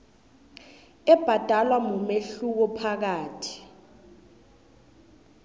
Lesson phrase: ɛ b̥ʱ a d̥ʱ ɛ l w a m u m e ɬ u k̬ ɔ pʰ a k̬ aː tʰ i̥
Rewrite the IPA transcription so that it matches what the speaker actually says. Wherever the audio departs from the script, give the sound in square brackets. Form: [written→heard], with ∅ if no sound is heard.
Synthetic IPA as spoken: ɛ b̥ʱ a d̥ʱ [ɛ→a] l w a m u m e ɬ u k̬ ɔ pʰ a k̬ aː tʰ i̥